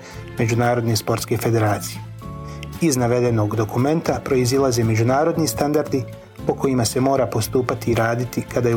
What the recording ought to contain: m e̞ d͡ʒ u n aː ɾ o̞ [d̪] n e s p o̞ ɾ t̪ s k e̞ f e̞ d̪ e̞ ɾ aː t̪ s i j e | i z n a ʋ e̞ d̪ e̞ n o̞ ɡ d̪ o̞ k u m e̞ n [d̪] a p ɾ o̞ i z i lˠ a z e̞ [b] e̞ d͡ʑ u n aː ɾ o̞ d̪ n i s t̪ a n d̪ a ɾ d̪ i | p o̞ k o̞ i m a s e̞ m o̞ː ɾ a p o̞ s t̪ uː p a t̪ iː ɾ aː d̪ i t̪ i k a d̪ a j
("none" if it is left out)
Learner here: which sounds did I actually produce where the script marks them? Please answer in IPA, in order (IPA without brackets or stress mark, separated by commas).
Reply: d̪, t̪, m